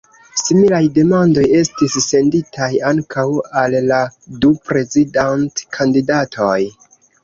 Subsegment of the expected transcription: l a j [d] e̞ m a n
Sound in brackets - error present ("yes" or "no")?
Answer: no